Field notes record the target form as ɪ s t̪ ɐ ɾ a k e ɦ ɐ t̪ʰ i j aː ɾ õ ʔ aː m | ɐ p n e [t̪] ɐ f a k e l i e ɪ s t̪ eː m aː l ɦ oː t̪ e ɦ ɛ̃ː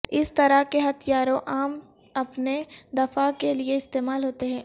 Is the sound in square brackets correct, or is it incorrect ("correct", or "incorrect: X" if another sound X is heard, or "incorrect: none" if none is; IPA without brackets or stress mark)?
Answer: incorrect: d̪